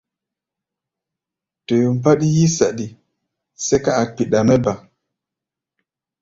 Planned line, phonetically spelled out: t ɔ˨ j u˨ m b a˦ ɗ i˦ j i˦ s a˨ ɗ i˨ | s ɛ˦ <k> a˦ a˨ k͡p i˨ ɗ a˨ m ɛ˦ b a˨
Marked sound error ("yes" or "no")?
no